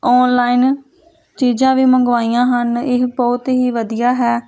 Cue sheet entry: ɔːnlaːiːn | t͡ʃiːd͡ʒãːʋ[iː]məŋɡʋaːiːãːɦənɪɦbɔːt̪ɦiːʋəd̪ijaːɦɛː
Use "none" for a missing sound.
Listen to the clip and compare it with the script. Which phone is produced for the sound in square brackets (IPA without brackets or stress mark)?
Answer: iː